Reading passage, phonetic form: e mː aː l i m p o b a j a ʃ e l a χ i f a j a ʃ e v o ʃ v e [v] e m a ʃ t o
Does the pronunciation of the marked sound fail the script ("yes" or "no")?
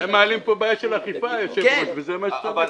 yes